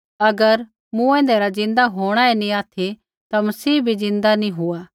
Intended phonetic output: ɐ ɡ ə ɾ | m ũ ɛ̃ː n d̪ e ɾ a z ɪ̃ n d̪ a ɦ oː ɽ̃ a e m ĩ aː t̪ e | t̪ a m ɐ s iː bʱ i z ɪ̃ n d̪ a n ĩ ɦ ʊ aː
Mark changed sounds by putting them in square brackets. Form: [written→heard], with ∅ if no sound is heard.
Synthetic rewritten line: ɐ ɡ ə ɾ | m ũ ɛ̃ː n d̪ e ɾ a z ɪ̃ n d̪ a ɦ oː ɽ̃ a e [m→n] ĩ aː [t̪→t̪ʰ] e | t̪ a m ɐ s iː bʱ i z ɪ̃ n d̪ a n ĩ ɦ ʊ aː